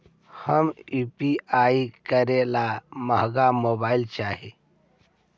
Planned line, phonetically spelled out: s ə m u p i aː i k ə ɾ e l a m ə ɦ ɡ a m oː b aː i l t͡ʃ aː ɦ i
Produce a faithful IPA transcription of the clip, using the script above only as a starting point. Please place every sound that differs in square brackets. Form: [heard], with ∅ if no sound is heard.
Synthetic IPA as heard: [h] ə m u p i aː i k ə ɾ e l a m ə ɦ ɡ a m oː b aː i l t͡ʃ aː ɦ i